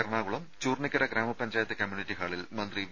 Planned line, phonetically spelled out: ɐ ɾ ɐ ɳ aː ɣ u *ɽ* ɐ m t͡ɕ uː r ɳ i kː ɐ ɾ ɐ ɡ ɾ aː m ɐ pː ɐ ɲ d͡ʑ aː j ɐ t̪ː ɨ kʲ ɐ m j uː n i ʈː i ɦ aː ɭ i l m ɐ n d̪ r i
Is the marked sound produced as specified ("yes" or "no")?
no